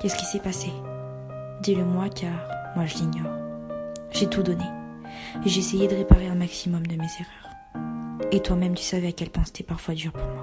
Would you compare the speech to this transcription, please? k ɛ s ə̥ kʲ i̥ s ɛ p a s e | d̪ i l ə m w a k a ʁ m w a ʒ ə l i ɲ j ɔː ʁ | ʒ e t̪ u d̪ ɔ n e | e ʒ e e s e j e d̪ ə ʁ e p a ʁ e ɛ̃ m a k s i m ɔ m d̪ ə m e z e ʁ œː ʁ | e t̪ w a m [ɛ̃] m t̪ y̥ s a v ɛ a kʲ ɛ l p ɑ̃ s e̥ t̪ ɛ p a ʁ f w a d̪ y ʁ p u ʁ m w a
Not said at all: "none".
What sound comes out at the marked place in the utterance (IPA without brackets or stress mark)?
ɛ